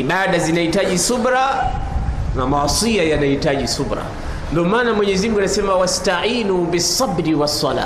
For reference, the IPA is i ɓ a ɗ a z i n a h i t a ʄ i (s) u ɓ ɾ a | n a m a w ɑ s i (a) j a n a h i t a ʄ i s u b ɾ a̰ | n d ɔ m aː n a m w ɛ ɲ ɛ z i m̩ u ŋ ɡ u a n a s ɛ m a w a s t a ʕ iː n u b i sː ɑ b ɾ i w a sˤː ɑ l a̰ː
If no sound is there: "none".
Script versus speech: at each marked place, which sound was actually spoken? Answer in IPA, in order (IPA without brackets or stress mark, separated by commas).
s, a